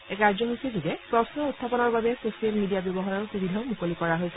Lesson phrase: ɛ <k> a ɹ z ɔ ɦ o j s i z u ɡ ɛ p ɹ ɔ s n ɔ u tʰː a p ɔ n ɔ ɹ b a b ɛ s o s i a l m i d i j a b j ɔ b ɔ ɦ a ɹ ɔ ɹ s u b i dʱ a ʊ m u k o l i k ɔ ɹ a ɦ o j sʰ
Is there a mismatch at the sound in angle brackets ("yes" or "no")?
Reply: no